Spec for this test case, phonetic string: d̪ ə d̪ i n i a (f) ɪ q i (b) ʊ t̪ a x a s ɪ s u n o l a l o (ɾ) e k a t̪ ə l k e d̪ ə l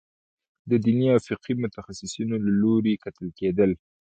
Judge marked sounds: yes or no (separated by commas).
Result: yes, no, yes